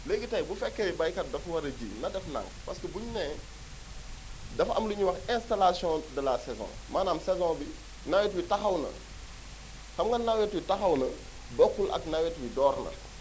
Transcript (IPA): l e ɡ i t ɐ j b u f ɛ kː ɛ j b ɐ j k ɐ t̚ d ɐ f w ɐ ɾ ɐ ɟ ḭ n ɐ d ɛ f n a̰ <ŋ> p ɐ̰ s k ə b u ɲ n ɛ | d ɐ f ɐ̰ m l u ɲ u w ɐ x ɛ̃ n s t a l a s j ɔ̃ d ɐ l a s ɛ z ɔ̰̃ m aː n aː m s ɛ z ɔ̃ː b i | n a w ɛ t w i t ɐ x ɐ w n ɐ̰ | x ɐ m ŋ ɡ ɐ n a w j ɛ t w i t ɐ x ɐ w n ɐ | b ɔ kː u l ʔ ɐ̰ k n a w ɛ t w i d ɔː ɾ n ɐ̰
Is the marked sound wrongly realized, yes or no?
no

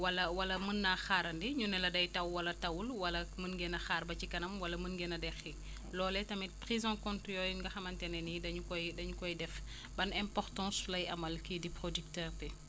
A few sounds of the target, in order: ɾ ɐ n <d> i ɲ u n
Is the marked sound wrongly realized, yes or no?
no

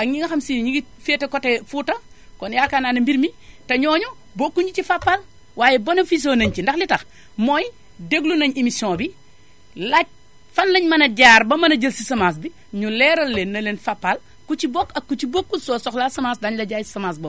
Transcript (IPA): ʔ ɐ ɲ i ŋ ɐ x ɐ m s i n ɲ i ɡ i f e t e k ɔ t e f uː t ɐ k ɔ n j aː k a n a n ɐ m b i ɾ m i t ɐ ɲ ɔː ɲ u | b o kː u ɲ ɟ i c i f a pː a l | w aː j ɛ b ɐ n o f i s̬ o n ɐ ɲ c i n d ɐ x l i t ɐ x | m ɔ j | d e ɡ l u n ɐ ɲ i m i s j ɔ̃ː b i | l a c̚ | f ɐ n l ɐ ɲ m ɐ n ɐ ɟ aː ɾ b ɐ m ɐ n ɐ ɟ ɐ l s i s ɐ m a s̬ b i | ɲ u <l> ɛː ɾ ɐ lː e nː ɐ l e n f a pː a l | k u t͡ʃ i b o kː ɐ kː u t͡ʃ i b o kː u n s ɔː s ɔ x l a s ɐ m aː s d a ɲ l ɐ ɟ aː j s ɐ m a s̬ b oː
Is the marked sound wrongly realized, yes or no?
no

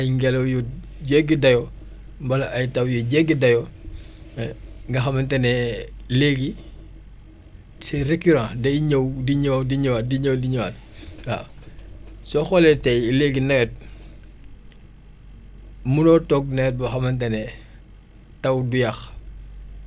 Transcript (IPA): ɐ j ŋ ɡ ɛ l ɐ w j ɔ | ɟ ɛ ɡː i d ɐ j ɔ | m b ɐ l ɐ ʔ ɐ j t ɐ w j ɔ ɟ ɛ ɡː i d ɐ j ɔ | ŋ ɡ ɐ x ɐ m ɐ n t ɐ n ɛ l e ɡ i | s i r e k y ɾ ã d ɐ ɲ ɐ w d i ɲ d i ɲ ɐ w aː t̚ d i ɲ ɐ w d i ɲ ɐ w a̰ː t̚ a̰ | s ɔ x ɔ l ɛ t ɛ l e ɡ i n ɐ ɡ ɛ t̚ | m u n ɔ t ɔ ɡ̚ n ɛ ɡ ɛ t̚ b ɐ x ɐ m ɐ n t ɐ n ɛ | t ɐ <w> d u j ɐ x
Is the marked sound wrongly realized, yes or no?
no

